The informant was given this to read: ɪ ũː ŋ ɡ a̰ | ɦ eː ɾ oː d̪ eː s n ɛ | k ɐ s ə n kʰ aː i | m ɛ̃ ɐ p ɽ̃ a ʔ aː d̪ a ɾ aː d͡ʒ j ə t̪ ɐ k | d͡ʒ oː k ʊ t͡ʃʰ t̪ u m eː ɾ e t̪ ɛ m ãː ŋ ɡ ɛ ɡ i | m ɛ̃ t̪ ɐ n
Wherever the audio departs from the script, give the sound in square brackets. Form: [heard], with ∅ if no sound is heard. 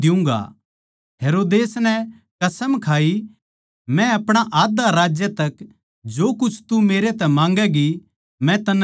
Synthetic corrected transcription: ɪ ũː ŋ ɡ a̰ | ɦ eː ɾ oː d̪ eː s n ɛ | k ɐ s ə [m] kʰ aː i | m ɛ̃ ɐ p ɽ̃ a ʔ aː d̪ a ɾ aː d͡ʒ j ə t̪ ɐ k | d͡ʒ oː k ʊ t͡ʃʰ t̪ u m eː ɾ e t̪ ɛ m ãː ŋ ɡ ɛ ɡ i | m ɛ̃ t̪ ɐ n